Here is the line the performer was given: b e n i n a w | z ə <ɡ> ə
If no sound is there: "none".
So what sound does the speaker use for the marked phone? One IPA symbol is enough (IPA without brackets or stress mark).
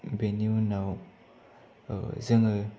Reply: ŋ